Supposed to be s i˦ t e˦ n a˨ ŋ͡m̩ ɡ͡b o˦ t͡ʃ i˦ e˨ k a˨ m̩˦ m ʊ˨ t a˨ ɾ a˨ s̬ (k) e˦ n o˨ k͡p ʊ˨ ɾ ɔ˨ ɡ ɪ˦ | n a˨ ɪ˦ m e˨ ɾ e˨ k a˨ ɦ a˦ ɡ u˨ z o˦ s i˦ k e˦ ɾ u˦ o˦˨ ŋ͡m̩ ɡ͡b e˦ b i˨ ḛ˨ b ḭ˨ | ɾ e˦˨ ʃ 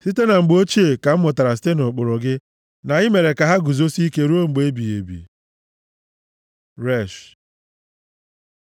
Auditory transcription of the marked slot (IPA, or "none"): t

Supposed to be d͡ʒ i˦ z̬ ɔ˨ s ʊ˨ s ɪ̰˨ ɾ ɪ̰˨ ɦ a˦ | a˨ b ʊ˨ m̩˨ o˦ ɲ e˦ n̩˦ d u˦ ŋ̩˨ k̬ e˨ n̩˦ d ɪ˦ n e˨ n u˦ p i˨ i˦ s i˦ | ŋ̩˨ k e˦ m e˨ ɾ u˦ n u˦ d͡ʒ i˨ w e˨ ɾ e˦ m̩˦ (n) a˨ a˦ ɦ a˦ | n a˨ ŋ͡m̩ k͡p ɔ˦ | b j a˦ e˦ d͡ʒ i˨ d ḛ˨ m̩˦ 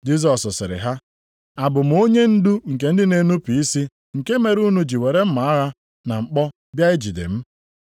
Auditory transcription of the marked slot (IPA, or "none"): m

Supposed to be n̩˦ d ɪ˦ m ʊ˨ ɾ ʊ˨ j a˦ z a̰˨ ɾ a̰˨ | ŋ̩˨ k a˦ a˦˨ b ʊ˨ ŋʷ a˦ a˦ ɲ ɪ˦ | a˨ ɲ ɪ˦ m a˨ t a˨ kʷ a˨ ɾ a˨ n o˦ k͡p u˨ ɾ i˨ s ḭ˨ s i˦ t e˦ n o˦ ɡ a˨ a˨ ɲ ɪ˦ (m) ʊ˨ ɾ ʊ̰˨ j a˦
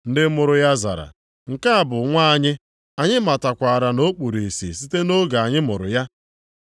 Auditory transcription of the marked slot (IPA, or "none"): m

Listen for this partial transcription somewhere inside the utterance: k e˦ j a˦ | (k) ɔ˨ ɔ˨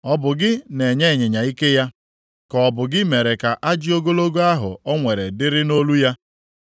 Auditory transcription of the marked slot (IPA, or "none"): k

